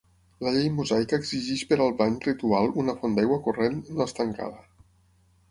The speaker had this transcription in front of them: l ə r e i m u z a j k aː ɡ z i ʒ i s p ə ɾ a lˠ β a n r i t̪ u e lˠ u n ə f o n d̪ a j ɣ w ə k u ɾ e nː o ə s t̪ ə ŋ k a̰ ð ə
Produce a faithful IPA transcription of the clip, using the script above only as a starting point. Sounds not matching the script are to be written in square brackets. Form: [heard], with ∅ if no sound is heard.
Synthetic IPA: l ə [ʎ] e [j] m u z a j k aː ɡ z i ʒ i [ʃ] p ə ɾ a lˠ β a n r i t̪ u [a] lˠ u n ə f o n d̪ a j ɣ w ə k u [r] e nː o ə s t̪ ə ŋ k a̰ ð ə